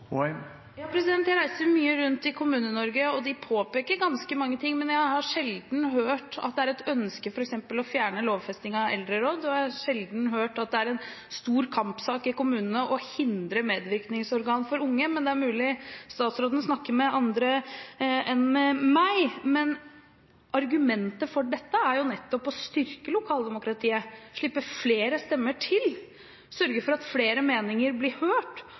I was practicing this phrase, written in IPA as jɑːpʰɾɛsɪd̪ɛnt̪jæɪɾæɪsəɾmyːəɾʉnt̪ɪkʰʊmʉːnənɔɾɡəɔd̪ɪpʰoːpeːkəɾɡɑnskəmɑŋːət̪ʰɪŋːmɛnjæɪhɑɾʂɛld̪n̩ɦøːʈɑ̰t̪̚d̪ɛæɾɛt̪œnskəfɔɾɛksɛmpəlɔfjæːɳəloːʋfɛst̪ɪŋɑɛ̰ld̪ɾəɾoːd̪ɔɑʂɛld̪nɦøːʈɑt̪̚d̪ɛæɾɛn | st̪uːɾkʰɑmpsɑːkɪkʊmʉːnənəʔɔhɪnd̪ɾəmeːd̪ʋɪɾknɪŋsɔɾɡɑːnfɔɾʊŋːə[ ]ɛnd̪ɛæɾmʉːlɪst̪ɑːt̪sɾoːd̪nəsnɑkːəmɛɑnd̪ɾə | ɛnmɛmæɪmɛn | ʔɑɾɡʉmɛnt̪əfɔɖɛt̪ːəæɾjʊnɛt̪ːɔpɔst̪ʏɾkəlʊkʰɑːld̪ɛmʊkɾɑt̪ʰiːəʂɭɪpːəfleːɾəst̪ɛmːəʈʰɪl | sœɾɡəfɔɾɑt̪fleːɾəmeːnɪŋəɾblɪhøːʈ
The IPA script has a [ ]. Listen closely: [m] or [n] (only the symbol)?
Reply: m